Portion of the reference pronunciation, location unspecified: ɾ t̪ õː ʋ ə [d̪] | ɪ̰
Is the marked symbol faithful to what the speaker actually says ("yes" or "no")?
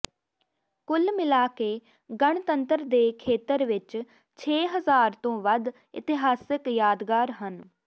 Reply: yes